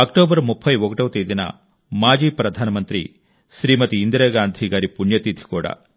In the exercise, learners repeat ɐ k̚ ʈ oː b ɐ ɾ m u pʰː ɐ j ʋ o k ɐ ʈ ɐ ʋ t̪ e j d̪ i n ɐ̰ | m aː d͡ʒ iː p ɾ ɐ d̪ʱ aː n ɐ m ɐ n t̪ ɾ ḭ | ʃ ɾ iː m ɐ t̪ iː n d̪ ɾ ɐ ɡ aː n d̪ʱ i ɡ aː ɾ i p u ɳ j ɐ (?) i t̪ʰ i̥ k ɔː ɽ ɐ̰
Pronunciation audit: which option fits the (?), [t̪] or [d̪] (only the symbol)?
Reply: t̪